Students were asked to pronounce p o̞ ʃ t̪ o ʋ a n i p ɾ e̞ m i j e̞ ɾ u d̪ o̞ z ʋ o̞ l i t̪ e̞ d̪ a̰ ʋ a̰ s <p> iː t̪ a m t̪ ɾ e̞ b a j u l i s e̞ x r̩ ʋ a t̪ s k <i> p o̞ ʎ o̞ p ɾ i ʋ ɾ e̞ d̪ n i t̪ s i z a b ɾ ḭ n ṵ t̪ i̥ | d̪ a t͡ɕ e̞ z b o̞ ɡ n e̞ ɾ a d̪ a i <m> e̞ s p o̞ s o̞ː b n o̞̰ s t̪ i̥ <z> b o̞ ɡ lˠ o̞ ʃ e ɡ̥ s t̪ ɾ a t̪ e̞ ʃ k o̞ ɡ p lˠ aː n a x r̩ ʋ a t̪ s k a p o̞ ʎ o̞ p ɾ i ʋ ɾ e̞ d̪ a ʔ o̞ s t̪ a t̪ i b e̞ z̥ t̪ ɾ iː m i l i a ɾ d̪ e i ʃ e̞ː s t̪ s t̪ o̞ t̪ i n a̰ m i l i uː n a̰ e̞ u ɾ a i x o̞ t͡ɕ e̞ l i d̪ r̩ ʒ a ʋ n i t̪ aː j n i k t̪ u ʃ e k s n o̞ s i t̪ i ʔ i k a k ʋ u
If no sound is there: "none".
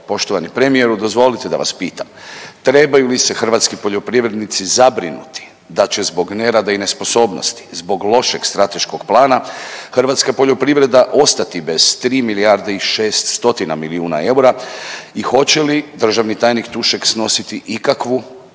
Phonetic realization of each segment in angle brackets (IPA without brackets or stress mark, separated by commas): p, i, n, z